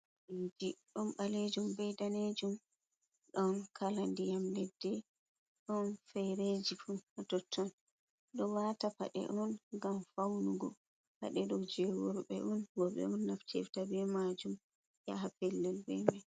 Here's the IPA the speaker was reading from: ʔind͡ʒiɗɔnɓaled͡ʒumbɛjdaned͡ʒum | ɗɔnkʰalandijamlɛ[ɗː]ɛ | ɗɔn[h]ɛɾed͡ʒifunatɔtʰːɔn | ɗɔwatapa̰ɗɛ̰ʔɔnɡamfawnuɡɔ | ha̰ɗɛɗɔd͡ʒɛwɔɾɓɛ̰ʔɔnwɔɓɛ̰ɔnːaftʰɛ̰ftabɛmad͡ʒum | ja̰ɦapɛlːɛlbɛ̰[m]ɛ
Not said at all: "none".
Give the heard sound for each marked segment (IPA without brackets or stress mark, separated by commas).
dː, f, m